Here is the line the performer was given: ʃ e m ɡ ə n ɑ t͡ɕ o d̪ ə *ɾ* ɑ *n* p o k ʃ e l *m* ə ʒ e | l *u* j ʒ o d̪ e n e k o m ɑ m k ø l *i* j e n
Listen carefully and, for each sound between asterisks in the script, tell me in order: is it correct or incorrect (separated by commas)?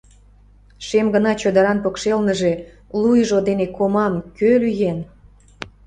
correct, correct, incorrect, correct, incorrect